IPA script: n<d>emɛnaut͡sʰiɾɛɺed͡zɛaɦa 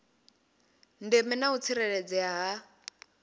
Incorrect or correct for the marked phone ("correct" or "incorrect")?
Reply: correct